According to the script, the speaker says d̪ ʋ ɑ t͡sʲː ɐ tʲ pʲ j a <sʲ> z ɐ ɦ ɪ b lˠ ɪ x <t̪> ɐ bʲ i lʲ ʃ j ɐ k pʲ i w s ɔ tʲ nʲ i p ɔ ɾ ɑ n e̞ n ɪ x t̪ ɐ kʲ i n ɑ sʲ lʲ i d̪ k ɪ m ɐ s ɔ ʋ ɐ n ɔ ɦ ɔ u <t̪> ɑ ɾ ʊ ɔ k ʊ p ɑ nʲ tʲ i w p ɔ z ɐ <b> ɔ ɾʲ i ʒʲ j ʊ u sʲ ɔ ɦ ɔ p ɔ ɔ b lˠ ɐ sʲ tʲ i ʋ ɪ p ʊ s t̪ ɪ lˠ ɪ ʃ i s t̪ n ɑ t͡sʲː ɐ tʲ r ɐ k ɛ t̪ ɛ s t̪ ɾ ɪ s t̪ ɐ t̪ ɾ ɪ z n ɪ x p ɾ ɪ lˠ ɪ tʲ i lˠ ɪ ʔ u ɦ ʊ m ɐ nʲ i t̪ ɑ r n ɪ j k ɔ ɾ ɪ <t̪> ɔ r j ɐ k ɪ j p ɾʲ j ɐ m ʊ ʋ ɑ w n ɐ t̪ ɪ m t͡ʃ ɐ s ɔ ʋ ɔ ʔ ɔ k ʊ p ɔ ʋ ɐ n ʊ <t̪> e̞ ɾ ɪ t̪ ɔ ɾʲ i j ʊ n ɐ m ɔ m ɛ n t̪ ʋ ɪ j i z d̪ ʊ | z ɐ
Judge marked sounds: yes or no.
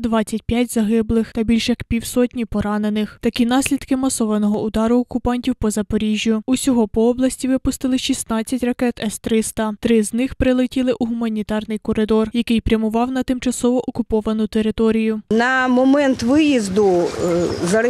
no, yes, no, no, no, yes

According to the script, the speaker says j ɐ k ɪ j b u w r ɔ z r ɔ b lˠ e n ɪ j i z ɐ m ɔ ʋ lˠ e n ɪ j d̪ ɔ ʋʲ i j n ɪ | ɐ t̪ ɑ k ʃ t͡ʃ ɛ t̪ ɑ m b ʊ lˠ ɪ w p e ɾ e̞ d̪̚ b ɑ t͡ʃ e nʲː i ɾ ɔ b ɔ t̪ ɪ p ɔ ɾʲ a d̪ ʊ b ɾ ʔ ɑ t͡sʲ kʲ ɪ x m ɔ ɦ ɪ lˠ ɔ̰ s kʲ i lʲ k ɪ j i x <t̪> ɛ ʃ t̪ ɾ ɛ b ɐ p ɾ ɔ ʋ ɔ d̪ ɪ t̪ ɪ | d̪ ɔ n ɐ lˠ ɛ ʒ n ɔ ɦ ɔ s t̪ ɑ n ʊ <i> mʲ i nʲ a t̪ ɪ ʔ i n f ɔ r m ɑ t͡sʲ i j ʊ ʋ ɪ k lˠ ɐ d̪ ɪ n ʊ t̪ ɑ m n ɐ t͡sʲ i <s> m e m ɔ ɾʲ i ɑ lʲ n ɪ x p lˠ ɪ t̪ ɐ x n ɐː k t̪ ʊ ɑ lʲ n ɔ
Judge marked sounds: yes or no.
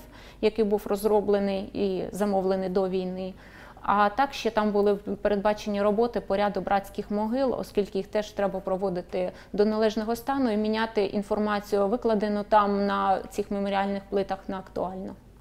yes, yes, no

